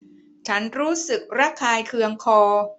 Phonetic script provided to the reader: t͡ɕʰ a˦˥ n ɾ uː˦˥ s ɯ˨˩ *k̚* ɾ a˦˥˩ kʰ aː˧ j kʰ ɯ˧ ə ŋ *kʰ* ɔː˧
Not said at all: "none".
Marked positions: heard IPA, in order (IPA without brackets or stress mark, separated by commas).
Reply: k̚, kʰ